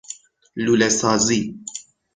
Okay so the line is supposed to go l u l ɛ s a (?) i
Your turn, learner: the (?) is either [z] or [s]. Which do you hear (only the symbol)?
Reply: z